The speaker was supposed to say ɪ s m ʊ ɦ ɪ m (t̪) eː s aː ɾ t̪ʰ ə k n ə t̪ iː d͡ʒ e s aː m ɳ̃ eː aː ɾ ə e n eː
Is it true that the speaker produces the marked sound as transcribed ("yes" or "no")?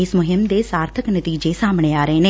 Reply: no